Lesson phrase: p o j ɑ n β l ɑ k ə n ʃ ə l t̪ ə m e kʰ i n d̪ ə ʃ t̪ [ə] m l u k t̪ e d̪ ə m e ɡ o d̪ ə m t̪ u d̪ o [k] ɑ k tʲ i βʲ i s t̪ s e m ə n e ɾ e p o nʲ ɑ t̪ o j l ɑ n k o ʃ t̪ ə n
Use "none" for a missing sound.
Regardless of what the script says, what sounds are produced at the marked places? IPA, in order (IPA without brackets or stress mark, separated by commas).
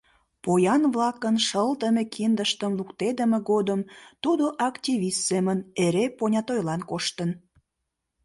ə, ʔ